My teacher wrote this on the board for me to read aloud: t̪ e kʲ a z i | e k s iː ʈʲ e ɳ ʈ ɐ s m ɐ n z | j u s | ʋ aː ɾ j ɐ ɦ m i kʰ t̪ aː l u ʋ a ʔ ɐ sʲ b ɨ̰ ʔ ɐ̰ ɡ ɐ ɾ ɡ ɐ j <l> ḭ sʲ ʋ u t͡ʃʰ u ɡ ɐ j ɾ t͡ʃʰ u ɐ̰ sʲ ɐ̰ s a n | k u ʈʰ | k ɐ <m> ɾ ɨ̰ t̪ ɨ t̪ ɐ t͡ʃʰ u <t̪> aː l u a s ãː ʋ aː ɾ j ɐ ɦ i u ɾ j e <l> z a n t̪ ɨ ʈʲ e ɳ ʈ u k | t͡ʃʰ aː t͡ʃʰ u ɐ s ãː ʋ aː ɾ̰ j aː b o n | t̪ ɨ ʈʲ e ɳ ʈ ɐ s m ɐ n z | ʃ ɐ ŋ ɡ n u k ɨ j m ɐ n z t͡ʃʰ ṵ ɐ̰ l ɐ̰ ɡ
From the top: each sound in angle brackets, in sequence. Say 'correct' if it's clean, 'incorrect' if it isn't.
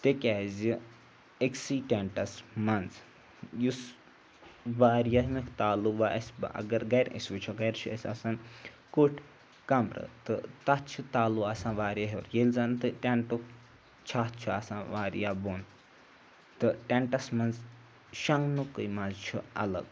incorrect: ɾ, correct, correct, correct

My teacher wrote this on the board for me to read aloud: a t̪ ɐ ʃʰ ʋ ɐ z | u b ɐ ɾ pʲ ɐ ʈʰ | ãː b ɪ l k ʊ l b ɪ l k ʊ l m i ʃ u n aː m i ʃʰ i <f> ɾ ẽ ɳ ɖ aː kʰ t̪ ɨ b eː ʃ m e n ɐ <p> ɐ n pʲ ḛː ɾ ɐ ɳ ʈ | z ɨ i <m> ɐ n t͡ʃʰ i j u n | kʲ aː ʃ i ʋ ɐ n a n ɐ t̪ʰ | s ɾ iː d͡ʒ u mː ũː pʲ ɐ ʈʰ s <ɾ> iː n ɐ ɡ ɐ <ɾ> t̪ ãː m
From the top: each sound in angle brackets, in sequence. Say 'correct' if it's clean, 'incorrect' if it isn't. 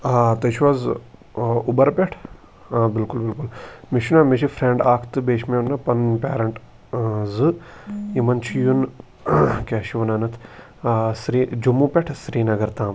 correct, correct, correct, correct, correct

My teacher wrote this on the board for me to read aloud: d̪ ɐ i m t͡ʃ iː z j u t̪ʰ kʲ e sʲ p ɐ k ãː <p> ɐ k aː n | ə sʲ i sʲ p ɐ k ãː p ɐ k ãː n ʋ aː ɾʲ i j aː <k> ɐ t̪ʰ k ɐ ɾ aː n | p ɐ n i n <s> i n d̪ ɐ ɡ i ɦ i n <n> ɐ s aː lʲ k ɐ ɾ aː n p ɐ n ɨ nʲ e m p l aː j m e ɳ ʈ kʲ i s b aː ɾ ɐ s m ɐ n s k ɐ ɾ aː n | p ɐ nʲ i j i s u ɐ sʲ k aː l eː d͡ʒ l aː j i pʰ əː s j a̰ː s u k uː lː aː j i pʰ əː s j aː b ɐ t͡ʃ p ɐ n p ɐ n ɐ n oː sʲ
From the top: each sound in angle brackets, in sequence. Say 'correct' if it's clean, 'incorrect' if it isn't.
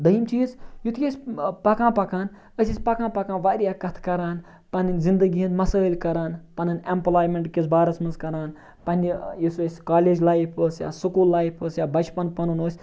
correct, correct, incorrect: z, incorrect: m

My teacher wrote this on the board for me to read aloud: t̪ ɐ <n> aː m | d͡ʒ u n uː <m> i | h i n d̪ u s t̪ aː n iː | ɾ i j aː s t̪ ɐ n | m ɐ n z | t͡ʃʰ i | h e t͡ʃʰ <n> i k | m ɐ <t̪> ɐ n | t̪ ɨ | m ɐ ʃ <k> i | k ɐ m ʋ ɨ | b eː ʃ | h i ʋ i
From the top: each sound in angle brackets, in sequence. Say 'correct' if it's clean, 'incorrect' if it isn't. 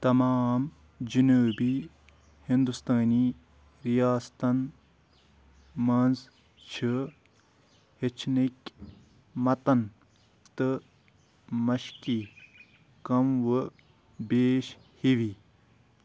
incorrect: m, incorrect: b, correct, correct, correct

